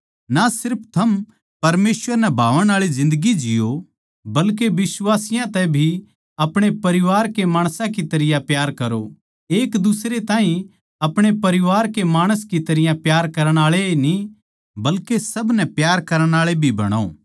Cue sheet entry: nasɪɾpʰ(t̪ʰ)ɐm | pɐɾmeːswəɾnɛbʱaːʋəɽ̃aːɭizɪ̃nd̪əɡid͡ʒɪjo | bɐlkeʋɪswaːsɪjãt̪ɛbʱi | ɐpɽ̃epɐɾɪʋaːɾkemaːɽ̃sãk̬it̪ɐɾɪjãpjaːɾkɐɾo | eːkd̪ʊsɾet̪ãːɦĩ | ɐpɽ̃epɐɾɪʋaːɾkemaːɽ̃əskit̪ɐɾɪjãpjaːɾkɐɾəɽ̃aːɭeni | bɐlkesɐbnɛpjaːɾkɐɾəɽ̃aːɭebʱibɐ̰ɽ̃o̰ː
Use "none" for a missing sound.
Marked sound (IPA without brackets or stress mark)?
t̪ʰ